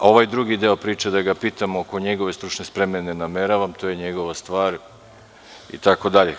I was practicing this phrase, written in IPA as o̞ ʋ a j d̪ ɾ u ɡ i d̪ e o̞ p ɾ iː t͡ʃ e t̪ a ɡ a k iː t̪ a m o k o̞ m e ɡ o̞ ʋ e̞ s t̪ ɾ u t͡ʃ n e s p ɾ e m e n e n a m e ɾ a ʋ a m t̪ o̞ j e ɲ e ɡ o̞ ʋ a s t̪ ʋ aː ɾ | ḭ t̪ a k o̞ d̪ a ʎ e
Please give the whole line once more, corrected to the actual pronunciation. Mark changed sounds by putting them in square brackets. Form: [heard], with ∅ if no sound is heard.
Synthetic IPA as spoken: o̞ ʋ a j d̪ ɾ u ɡ i d̪ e o̞ p ɾ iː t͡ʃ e [d̪] a ɡ a [p] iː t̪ a m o k o̞ [ɲ] e ɡ o̞ ʋ e̞ s t̪ ɾ u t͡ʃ n e s p ɾ e m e n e n a m e ɾ a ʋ a m t̪ o̞ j e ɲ e ɡ o̞ ʋ a s t̪ ʋ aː ɾ | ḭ t̪ a k o̞ d̪ a ʎ e